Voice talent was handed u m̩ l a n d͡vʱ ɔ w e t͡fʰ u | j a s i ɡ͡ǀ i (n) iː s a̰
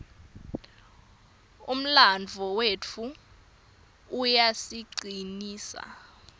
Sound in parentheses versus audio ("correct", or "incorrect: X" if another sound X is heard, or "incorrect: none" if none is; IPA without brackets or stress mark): correct